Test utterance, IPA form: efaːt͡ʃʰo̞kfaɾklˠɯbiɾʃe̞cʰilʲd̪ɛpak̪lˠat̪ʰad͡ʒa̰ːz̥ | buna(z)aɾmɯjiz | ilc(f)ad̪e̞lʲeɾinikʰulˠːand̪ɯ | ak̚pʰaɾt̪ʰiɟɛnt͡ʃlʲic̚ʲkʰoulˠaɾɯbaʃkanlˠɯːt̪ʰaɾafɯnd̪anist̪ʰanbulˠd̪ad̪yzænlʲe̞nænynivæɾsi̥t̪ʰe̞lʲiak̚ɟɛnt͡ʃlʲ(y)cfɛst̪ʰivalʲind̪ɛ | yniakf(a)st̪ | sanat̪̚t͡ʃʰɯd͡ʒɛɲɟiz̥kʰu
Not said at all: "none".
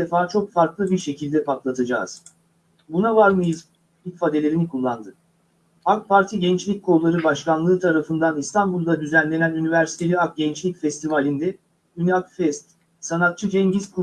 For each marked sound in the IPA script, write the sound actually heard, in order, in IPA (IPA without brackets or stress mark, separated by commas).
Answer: v, f, i, ɛ